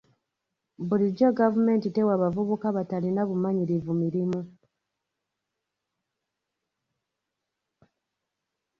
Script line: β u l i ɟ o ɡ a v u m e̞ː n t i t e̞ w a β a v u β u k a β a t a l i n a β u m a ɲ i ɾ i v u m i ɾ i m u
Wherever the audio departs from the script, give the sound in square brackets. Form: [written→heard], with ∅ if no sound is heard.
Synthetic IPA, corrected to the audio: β u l i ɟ o ɡ a v u m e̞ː n t i t e̞ w a β a v u β u k a β a t a l i n a β u m a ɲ i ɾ i v u m i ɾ i m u